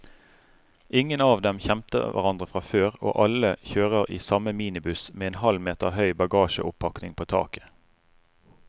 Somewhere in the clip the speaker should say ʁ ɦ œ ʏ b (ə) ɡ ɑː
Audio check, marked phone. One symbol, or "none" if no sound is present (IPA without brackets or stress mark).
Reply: ɑ